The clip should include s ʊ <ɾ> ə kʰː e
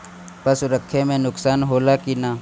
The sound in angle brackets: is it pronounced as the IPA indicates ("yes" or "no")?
yes